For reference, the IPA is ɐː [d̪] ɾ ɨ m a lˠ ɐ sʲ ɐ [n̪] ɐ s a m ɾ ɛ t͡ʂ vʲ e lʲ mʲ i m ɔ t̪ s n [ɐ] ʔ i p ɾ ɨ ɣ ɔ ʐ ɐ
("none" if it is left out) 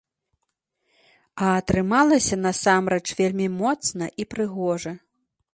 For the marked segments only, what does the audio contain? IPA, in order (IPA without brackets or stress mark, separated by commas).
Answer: t̪, n̪, ɐ